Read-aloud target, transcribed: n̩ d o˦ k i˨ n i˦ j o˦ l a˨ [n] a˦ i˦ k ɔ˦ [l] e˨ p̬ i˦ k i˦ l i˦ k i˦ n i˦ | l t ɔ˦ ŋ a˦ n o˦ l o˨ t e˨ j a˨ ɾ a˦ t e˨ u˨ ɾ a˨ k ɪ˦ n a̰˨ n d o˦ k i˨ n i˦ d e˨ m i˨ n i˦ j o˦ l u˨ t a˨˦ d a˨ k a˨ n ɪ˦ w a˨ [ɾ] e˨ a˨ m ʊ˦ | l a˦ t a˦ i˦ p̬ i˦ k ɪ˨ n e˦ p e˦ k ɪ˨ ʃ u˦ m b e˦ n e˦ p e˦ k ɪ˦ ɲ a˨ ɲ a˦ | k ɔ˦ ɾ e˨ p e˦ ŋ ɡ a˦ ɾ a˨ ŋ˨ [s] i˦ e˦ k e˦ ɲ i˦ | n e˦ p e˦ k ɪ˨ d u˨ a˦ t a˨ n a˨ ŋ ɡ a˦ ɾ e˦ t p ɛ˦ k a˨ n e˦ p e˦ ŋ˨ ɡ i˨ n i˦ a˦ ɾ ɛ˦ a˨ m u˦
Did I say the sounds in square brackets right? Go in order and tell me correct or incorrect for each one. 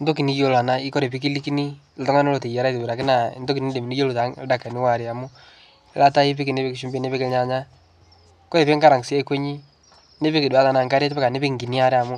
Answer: correct, incorrect: ɾ, correct, correct

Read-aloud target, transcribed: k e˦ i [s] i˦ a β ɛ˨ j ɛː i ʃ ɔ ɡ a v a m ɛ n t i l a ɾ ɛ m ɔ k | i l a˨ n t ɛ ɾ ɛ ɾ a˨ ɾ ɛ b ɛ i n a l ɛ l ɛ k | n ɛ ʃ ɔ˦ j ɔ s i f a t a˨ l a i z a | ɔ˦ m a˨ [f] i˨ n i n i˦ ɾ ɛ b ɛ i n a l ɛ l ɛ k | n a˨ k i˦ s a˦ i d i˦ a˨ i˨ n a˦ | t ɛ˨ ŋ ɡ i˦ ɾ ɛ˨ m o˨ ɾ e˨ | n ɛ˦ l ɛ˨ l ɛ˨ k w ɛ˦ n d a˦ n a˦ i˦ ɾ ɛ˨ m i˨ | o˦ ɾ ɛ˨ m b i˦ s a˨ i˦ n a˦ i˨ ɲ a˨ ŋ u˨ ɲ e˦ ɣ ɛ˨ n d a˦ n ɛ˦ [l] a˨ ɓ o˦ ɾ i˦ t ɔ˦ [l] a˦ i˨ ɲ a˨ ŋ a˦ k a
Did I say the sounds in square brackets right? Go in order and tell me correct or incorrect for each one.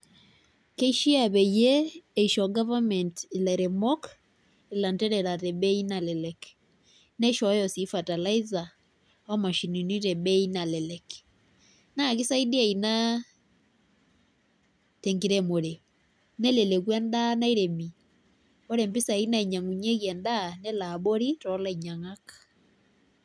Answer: incorrect: ʃ, incorrect: ʃ, correct, correct

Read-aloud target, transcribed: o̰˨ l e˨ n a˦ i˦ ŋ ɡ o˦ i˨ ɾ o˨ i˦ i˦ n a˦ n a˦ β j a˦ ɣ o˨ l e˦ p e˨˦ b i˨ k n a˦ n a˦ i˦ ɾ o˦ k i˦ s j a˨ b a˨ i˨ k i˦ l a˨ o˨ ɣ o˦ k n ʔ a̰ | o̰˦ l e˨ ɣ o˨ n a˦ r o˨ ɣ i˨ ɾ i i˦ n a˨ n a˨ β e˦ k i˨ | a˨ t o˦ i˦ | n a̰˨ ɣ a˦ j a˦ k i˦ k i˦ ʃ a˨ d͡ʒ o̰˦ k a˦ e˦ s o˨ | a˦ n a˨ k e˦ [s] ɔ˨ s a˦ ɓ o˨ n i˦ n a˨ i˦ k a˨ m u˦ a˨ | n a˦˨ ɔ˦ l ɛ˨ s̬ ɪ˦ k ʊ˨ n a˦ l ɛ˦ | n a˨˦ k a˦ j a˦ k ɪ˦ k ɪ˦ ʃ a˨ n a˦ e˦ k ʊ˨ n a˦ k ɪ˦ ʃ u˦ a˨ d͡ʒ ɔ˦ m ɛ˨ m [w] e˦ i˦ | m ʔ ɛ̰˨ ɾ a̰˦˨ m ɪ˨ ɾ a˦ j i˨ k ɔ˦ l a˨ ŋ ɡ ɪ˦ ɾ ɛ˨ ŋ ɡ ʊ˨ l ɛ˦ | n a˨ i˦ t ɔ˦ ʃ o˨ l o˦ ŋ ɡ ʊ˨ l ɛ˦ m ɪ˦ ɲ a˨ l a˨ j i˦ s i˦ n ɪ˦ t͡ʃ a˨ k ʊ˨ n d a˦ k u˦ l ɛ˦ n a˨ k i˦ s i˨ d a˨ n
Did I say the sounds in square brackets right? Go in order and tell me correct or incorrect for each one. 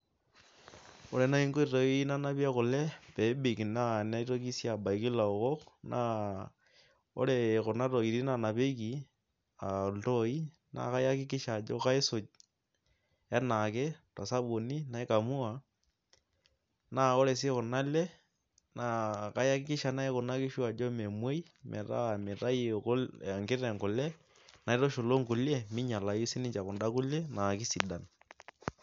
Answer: incorrect: t, correct

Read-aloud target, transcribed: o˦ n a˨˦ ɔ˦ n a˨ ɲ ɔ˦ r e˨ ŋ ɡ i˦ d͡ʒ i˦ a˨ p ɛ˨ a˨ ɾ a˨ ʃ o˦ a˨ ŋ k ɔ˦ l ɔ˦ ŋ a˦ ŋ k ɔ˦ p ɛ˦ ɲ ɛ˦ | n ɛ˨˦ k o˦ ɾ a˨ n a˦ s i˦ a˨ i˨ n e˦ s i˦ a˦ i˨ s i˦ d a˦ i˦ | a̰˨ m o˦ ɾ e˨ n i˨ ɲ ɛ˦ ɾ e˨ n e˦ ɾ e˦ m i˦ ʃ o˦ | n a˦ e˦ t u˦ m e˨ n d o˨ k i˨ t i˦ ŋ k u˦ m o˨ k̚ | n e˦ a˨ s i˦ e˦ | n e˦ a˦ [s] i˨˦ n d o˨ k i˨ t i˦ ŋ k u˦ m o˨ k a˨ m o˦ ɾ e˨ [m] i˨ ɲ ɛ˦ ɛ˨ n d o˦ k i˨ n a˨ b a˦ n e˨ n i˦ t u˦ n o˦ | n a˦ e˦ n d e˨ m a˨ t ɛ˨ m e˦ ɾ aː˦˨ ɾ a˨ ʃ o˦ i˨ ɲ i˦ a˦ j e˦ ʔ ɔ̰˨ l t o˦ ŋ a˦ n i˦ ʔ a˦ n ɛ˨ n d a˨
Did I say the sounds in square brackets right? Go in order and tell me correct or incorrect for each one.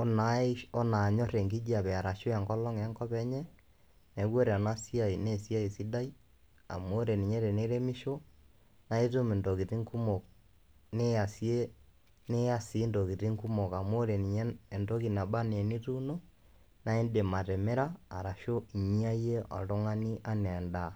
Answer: correct, incorrect: n

